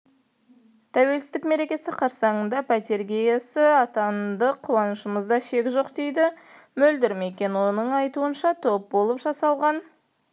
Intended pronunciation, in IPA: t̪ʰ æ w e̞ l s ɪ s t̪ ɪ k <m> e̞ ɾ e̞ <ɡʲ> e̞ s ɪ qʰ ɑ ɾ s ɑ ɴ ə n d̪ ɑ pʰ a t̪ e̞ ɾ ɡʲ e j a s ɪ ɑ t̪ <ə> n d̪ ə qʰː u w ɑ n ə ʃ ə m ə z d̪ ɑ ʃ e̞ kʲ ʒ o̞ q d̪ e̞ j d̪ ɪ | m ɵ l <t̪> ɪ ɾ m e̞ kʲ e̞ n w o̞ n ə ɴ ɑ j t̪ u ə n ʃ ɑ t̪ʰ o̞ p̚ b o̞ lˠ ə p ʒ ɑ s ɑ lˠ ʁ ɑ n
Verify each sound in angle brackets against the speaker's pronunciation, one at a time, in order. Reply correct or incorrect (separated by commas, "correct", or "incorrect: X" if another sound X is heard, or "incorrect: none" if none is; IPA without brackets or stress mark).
correct, incorrect: kʲ, incorrect: ɑ, incorrect: d̪